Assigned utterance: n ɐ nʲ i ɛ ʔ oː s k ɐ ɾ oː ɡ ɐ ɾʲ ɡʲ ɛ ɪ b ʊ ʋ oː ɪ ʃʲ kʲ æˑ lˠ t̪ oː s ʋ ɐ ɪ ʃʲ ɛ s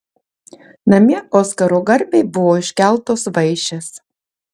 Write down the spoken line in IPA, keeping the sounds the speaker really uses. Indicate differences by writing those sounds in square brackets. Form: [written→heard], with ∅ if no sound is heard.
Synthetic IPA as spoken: n ɐ [nʲ→mʲ] i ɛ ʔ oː s k ɐ ɾ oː ɡ ɐ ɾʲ [ɡʲ→bʲ] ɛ ɪ b ʊ ʋ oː ɪ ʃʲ kʲ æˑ lˠ t̪ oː s ʋ ɐ ɪ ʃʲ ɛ s